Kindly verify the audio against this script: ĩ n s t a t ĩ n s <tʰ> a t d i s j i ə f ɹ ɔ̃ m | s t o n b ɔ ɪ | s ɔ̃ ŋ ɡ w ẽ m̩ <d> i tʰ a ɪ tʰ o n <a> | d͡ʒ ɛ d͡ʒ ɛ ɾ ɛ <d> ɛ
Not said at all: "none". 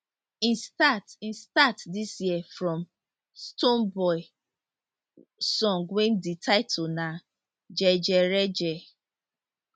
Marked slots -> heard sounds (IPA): t, d, a, d͡ʒ

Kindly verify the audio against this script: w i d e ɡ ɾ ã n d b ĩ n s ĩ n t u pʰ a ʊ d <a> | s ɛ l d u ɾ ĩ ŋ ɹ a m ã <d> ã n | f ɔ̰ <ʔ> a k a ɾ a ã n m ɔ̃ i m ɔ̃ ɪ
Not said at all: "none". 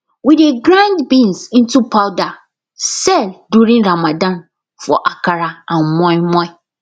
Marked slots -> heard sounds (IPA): a, d, ʔ

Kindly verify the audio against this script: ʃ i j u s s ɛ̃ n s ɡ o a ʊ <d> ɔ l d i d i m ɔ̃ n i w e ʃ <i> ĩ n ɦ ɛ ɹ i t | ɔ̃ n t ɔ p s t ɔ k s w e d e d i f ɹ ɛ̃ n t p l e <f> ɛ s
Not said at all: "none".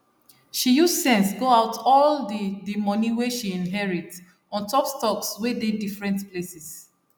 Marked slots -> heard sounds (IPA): t, i, s

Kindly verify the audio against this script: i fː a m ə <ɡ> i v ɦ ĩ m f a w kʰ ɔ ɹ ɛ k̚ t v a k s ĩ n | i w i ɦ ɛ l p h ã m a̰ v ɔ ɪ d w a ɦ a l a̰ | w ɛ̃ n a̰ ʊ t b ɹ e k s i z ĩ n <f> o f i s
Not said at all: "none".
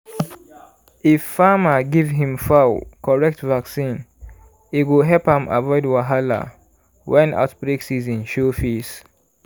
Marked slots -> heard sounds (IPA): ɡ, ʃ

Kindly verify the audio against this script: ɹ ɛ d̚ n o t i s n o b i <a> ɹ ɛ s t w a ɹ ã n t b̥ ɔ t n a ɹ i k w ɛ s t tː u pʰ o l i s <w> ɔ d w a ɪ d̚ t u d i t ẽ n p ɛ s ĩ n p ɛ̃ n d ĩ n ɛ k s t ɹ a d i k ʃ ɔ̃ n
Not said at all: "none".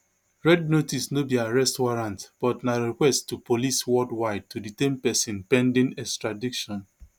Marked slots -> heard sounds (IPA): a, w

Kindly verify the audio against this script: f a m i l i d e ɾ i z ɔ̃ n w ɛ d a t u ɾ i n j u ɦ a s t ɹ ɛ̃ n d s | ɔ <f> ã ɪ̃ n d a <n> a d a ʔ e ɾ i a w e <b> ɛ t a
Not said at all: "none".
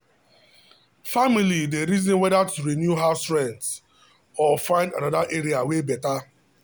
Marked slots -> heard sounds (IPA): f, n, b

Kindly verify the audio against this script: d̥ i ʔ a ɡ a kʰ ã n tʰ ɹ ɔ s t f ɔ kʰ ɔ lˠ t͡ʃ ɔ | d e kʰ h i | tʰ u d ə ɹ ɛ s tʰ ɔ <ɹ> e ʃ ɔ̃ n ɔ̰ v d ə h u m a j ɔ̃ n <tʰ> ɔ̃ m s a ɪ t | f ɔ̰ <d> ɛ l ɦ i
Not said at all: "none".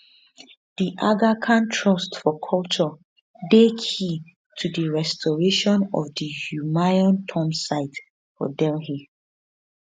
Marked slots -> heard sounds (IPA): ɹ, tʰ, d

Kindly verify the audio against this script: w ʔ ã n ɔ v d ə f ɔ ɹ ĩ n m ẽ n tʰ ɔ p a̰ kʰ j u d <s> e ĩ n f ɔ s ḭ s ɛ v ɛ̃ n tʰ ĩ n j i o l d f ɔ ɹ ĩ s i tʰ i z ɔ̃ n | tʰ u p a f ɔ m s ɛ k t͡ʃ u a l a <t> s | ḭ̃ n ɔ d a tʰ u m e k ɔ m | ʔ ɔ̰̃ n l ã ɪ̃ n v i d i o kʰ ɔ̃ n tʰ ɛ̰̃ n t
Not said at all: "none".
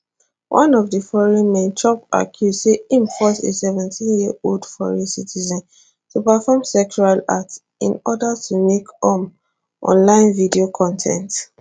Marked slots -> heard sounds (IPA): s, t

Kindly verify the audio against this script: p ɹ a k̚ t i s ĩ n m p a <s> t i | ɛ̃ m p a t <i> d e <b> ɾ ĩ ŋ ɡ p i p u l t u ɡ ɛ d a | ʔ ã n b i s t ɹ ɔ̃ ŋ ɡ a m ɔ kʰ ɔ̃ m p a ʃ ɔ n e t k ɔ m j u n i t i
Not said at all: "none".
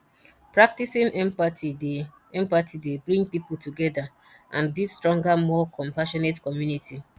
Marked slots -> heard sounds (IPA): none, i, b

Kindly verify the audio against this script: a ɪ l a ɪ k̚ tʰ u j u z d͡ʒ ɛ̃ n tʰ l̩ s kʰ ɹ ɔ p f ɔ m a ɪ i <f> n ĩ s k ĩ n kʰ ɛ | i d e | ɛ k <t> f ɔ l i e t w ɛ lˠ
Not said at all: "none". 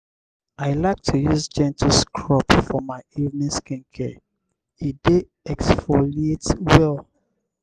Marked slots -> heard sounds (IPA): v, s

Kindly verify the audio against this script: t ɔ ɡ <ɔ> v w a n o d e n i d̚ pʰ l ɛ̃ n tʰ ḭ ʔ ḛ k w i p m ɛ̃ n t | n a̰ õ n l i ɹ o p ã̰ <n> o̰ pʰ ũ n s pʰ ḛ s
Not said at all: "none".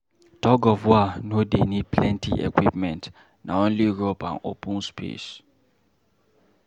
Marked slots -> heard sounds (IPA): ɔ, n

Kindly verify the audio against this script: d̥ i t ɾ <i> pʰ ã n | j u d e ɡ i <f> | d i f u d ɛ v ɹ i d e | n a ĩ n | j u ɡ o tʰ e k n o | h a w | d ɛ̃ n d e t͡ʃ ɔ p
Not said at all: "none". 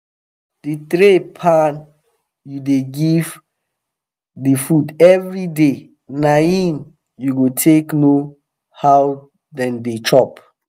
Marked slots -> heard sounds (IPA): e, v

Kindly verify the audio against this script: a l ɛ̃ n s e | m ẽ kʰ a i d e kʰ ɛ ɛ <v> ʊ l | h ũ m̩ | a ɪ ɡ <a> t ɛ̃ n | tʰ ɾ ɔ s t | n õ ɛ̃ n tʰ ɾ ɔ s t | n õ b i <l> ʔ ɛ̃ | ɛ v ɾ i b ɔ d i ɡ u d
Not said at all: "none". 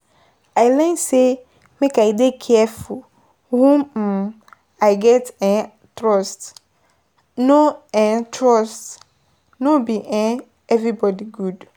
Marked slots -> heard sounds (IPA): f, ɛ, none

